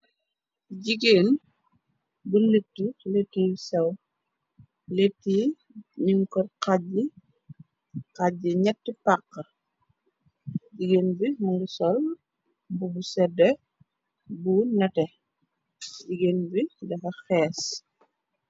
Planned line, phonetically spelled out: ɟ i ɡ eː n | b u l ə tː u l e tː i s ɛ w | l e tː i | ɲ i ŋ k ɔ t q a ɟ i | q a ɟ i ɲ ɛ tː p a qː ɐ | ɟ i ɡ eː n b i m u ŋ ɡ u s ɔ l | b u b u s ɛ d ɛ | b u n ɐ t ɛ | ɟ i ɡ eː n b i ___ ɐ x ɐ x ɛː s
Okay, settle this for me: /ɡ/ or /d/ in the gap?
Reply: d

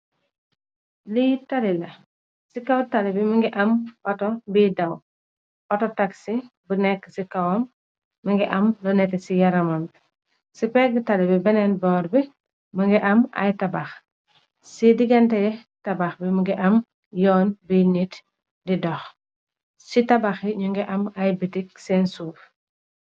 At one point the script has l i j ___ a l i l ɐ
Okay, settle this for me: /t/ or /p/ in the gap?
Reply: t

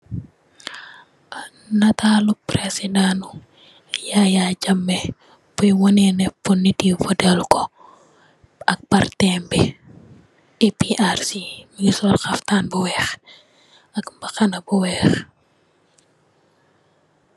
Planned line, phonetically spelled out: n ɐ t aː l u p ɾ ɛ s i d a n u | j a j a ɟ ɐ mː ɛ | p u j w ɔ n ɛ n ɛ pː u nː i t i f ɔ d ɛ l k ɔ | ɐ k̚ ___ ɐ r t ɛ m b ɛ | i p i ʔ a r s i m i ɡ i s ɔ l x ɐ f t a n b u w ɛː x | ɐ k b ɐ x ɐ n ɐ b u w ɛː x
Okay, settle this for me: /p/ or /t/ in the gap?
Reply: p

